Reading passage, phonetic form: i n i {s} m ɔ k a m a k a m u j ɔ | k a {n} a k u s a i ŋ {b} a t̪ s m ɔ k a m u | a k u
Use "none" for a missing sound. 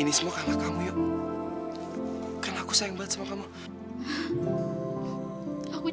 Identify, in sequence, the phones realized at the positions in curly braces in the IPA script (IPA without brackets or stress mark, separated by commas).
s, n, b